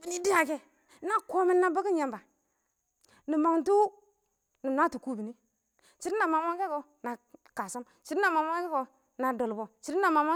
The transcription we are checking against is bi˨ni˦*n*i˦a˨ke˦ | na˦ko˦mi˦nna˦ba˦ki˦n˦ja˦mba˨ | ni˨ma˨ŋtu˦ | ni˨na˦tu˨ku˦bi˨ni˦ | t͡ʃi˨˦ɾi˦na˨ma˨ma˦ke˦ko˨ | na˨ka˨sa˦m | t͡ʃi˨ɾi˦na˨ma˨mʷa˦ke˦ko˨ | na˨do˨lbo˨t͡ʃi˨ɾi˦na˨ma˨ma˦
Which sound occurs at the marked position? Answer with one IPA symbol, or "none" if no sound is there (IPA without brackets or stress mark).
d